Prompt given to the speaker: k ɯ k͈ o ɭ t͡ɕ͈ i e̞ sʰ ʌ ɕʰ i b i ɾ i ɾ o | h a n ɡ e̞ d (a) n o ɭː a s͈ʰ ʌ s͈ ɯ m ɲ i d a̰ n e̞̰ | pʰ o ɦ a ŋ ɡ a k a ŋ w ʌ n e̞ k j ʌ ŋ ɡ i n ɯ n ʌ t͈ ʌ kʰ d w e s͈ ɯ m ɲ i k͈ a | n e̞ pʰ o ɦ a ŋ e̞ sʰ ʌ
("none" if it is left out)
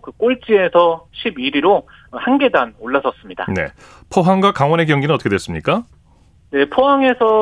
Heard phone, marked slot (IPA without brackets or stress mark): a